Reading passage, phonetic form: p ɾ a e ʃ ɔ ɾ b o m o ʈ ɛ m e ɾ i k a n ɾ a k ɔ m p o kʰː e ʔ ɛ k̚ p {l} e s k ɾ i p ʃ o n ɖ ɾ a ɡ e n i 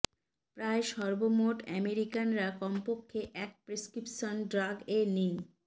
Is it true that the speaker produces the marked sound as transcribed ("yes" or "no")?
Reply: no